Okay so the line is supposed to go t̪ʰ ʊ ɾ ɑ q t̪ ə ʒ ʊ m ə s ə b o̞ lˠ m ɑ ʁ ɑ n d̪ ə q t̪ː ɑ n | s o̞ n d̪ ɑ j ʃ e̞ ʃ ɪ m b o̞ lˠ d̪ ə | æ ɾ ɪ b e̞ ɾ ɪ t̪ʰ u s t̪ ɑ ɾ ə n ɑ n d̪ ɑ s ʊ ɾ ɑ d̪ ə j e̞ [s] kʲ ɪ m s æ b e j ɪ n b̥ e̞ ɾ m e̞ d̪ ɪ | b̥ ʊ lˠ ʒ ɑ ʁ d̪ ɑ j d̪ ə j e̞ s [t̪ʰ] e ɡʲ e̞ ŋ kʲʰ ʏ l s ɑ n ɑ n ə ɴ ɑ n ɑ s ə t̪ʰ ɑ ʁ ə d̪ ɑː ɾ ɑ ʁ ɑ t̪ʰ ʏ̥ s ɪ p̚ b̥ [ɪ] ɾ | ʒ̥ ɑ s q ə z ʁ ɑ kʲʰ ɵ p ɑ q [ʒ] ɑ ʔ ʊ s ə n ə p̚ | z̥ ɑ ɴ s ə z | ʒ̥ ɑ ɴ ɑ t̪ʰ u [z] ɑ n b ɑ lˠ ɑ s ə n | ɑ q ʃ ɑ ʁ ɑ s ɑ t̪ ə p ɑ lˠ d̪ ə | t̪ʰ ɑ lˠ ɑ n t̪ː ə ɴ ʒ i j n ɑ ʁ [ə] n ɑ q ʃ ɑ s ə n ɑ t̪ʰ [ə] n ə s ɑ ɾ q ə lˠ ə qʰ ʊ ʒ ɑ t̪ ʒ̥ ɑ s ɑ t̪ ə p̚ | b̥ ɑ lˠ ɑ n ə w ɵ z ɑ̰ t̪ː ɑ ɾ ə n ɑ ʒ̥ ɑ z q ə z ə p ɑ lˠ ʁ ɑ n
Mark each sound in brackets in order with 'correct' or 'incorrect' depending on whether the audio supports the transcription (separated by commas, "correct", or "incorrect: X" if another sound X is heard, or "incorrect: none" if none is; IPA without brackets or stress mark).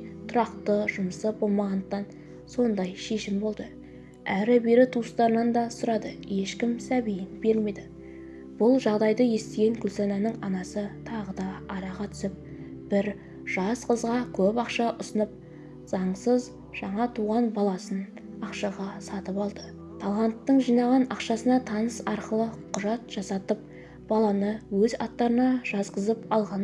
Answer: incorrect: ʃ, incorrect: t̪, correct, incorrect: ʃ, incorrect: ʁ, incorrect: ɑ, incorrect: ɑ